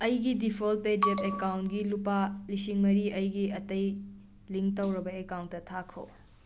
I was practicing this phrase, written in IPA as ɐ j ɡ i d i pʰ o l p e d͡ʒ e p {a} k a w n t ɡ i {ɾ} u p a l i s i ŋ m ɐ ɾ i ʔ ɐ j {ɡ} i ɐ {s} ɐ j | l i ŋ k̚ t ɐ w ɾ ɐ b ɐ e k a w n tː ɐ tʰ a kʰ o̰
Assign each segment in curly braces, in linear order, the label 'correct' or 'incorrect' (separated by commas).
incorrect, incorrect, correct, incorrect